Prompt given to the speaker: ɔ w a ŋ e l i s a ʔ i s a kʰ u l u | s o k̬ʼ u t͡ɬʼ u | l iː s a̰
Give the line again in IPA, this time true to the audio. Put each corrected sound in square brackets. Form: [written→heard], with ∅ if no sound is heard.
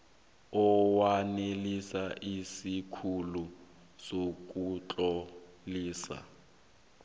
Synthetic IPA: ɔ w a [ŋ→n] e l i s a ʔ i s [a→i] kʰ u l u | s o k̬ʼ u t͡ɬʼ [u→ɔ] | l iː s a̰